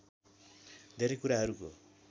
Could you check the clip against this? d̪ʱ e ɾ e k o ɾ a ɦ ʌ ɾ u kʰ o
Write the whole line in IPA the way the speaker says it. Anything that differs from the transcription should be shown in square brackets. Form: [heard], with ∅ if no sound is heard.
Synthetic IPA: d̪ʱ e ɾ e k [u] ɾ a ɦ ʌ ɾ u [k] o